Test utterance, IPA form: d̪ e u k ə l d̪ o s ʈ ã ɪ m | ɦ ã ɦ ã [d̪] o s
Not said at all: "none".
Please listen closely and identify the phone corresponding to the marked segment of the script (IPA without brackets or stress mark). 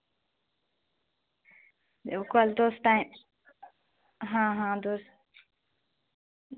d̪